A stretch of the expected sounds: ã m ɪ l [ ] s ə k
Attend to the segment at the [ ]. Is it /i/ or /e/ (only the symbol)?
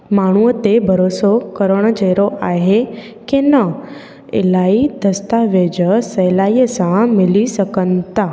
i